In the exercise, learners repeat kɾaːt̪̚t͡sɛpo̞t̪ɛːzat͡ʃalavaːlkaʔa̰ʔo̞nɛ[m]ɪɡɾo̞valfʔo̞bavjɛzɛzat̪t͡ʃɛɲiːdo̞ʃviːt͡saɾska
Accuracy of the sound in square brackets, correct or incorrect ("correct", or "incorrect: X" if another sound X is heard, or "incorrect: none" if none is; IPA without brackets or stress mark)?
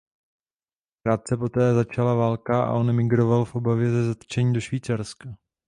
correct